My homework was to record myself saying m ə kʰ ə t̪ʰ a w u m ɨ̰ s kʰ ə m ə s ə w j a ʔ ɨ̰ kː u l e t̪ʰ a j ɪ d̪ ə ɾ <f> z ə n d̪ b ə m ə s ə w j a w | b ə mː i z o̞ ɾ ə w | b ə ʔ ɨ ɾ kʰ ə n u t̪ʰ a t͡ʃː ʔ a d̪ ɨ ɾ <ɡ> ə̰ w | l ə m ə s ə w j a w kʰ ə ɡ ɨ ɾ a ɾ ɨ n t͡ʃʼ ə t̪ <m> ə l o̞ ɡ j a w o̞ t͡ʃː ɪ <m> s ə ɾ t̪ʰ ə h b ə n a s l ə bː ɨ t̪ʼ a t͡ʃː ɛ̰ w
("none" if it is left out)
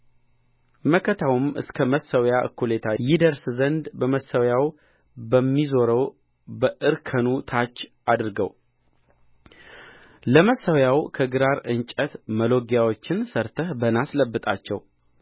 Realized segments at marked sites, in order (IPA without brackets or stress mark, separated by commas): s, ɡ, m, n